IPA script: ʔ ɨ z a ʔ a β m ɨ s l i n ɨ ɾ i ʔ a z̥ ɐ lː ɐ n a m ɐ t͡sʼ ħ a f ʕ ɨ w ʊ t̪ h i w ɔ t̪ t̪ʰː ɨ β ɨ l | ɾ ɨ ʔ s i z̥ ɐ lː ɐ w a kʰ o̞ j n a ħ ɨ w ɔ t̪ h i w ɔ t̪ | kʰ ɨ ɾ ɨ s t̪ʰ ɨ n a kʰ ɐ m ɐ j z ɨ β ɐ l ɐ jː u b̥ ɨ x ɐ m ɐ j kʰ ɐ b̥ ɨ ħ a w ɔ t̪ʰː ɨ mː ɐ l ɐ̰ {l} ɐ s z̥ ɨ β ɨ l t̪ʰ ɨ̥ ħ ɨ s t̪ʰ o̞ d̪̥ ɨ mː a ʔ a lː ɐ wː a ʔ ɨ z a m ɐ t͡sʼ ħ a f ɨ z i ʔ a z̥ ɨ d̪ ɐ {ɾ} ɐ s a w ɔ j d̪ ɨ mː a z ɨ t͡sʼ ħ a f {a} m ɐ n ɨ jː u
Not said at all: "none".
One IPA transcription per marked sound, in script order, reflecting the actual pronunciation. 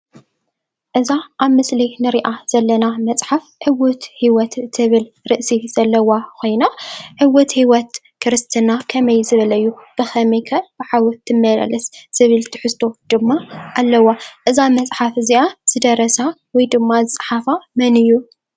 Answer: l, ɾ, a

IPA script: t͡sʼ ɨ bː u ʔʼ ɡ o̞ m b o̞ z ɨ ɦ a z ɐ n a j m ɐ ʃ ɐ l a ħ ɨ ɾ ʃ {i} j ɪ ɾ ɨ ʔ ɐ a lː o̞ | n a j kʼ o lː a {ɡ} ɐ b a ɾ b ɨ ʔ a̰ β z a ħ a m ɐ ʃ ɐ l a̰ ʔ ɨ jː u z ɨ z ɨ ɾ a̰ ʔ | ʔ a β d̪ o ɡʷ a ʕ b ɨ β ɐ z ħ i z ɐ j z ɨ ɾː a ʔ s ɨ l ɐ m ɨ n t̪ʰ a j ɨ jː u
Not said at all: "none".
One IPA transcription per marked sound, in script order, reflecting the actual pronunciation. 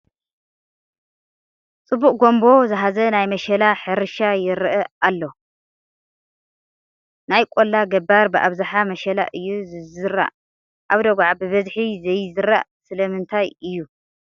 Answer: a, ɡ

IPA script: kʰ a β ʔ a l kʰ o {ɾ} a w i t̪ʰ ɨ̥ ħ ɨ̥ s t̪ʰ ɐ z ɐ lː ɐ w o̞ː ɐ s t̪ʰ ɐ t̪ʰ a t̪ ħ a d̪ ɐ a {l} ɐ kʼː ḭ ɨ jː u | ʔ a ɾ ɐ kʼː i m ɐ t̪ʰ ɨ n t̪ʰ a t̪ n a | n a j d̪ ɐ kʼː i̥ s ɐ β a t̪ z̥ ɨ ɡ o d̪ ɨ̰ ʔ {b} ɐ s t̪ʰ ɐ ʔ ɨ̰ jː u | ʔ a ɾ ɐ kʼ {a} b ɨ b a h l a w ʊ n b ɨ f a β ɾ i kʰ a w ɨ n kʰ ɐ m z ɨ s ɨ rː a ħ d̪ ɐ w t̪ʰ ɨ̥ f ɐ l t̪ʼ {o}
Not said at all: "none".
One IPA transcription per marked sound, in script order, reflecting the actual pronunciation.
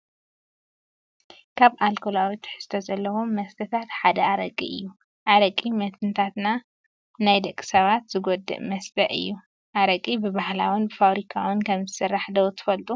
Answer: l, ɾ, m, i, u

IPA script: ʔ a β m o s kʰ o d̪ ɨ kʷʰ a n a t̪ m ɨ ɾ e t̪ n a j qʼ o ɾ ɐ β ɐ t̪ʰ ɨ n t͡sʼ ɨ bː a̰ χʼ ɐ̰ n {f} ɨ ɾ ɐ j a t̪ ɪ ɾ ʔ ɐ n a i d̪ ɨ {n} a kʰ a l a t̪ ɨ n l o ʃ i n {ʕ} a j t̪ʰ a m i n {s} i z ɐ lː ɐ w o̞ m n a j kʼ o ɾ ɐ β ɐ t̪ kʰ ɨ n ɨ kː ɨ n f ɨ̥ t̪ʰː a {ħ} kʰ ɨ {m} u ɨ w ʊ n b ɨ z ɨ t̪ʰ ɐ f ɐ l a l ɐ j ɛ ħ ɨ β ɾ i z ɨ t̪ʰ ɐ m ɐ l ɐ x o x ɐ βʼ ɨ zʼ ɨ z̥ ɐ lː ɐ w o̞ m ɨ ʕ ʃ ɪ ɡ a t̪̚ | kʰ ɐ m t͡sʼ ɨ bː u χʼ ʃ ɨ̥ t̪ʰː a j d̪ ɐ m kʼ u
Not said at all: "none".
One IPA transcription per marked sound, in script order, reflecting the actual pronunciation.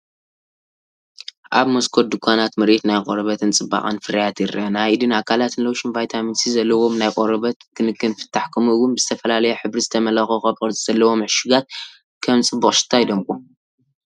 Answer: f, n, v, s, ħ, m

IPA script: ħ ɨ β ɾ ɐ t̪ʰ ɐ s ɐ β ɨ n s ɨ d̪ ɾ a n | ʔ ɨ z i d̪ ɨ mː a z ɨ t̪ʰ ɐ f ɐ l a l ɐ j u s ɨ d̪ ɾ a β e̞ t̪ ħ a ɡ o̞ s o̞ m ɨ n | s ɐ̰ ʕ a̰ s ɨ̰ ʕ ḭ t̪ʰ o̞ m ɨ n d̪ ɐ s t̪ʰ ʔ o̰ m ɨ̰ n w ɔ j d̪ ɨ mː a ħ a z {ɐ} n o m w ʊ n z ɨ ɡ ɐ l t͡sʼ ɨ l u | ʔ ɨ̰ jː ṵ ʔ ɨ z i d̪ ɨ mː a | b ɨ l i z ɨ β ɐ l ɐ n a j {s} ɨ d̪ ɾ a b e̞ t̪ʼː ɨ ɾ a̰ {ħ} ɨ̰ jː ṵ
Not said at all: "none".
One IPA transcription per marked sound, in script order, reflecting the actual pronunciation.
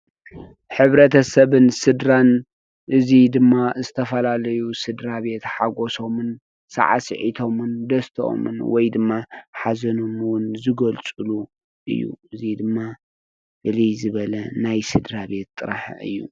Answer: ɐ, s, ħ

